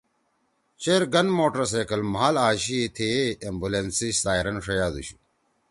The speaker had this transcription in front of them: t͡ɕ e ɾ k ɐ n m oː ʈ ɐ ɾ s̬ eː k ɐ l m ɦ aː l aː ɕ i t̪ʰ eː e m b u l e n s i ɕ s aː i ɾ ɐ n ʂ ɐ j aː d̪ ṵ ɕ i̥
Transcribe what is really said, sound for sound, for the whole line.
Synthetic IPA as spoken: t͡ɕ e ɾ ɡ ɐ n m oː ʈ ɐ ɾ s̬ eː k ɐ l m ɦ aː l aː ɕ i t̪ʰ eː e m b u l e n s i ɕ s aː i ɾ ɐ n ʂ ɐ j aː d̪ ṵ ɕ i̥